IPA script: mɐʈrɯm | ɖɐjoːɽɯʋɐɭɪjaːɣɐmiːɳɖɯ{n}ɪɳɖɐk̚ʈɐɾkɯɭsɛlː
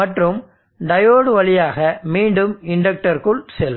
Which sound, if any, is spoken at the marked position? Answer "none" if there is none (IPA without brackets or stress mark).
m